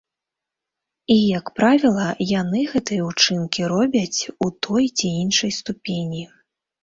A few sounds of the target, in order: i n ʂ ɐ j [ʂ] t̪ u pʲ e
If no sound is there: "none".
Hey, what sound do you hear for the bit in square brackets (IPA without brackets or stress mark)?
s